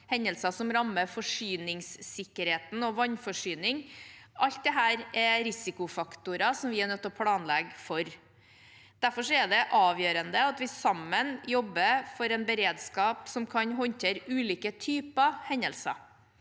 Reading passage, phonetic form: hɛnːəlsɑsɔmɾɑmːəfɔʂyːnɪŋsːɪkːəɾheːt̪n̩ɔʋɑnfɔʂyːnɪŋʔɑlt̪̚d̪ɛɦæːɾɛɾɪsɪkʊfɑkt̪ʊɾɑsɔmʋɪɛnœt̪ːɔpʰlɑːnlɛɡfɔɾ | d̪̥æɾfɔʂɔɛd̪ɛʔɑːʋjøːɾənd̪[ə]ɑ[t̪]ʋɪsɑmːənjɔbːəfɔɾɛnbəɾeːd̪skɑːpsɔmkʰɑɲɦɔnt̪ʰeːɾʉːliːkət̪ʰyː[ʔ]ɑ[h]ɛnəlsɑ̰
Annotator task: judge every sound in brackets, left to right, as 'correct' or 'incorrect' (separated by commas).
correct, correct, incorrect, correct